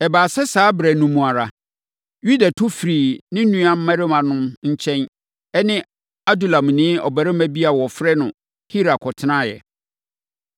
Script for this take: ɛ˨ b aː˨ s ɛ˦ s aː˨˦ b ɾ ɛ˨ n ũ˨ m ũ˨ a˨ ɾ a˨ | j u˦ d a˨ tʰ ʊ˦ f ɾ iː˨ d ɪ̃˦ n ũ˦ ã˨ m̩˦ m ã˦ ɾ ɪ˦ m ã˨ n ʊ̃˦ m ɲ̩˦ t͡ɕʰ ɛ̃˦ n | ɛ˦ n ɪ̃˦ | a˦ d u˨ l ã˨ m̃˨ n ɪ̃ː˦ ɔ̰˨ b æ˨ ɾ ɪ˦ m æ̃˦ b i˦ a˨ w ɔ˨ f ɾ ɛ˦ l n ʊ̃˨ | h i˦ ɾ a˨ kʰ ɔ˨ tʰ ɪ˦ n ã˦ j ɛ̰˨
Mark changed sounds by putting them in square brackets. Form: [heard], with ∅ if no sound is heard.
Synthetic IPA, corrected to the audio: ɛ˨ b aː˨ s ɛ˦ s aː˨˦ b ɾ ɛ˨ n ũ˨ m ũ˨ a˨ ɾ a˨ | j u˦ d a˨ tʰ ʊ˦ f ɾ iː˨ [n] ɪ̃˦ n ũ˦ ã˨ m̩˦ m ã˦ ɾ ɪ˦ m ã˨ n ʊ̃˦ m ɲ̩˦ t͡ɕʰ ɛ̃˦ n | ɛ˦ n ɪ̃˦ | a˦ d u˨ l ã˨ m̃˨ n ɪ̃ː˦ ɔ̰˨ b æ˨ ɾ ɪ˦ m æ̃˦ b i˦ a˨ w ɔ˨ f ɾ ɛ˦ [∅] n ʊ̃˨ | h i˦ ɾ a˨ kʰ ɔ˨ tʰ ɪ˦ n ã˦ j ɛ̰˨